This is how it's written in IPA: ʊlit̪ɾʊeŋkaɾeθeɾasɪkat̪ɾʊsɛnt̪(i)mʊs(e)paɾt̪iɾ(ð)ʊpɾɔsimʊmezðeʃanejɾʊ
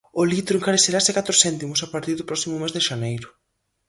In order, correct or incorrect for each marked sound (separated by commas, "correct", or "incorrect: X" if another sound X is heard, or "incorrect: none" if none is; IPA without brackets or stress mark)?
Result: correct, incorrect: a, correct